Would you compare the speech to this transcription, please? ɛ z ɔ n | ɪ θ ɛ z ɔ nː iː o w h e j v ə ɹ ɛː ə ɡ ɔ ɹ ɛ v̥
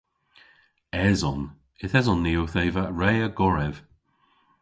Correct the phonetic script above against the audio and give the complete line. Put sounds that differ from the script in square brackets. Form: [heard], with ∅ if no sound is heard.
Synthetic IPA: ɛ z ɔ n | ɪ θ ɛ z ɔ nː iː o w [θ] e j v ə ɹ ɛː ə ɡ ɔ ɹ ɛ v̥